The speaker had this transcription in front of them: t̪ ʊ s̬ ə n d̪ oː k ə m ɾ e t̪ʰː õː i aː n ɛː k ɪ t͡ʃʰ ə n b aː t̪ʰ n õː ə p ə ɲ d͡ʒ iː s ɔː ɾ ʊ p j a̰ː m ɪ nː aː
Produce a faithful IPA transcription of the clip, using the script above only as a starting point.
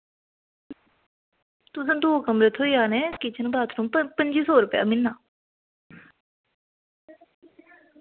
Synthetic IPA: t̪ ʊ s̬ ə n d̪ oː k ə m ɾ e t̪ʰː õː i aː n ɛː k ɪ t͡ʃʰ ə n b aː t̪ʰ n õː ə p ə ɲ d͡ʒ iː s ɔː ɾ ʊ p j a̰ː m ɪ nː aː